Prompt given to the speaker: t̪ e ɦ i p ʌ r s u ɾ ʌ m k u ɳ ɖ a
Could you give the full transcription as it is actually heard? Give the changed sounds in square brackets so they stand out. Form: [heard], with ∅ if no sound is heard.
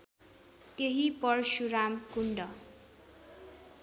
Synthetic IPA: t̪ e ɦ i p ʌ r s u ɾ [a] m k u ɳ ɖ [ʌ]